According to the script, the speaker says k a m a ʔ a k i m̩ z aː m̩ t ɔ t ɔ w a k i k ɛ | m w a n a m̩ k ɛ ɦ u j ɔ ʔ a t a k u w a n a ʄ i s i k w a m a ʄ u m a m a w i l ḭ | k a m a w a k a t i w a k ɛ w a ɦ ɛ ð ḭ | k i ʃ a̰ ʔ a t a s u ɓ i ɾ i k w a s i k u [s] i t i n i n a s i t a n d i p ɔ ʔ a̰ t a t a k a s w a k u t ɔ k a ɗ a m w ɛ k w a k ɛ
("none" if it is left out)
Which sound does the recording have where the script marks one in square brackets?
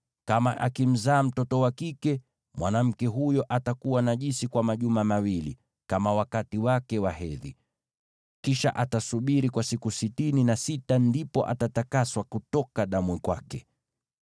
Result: s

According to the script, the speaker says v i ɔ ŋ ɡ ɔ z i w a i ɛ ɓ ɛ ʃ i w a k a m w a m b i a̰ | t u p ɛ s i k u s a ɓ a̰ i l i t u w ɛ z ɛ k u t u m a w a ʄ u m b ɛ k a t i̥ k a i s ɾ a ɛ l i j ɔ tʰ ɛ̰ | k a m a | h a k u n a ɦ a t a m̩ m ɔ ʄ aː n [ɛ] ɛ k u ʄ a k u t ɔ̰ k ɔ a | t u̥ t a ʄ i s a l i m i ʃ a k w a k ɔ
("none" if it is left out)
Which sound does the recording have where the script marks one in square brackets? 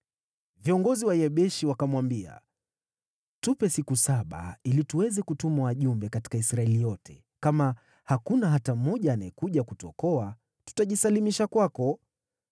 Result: a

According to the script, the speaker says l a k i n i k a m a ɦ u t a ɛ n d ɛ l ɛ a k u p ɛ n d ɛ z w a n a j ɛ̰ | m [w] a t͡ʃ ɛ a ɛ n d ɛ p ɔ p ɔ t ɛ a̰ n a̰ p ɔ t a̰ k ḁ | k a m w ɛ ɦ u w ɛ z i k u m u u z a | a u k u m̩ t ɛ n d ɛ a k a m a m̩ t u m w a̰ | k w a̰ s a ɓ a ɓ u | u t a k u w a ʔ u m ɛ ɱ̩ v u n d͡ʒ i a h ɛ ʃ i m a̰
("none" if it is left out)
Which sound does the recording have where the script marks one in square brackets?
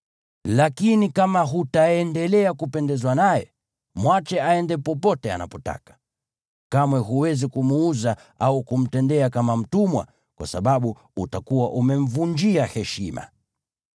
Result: w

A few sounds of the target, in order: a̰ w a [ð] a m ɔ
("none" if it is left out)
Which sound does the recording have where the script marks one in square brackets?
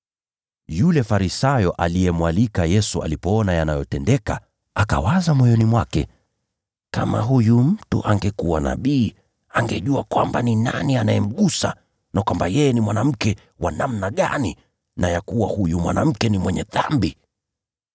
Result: z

